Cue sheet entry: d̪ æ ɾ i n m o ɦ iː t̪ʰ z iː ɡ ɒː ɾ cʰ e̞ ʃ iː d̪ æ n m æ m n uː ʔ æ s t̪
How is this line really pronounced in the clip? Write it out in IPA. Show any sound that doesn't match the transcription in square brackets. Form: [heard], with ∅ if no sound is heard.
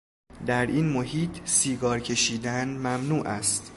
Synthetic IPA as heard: d̪ æ ɾ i n m o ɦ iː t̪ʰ [s] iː ɡ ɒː ɾ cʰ e̞ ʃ iː d̪ æ n m æ m n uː ʔ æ s t̪